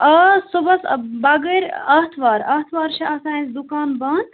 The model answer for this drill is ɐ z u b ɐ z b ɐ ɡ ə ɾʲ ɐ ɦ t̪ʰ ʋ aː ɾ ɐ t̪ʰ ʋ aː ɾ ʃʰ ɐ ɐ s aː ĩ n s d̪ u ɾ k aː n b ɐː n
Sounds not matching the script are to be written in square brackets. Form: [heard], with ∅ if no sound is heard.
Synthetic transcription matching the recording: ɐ [s] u b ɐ [s] b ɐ ɡ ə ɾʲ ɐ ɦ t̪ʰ ʋ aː ɾ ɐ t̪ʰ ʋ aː ɾ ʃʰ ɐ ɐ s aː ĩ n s d̪ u [∅] k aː n b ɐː n